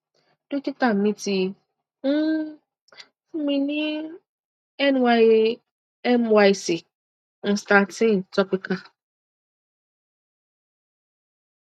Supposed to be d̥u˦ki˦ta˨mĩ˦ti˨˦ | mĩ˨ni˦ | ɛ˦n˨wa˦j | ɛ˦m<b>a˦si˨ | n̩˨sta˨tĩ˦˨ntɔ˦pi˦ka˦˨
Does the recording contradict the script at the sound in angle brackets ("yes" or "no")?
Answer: yes